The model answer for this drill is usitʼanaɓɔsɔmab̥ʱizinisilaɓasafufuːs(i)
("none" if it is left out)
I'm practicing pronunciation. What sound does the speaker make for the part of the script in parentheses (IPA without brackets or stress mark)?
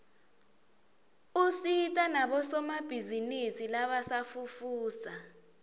a